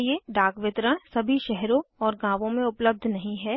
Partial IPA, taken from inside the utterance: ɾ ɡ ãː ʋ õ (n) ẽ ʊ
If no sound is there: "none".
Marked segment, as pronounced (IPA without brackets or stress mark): m